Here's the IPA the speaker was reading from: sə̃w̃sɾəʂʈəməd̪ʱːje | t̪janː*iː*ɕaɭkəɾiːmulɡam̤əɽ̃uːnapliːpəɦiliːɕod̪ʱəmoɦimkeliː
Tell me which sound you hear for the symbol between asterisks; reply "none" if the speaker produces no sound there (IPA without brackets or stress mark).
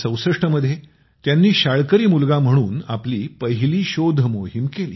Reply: iː